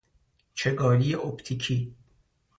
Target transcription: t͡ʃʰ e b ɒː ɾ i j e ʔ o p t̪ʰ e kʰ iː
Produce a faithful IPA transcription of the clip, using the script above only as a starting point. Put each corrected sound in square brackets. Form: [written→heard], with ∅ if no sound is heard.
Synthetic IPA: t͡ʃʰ e [b→ɡ] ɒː [ɾ→l] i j e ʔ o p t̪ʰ [e→i] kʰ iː